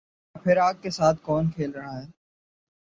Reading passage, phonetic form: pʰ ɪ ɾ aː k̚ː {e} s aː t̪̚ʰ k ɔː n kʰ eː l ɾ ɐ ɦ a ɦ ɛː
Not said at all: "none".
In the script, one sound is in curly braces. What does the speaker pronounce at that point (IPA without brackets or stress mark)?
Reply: e